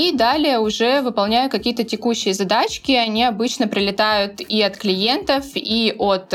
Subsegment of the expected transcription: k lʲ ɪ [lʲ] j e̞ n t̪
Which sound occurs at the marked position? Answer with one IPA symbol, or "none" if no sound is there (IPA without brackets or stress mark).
none